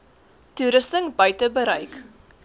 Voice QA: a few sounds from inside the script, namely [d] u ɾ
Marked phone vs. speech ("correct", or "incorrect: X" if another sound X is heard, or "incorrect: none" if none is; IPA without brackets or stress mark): incorrect: t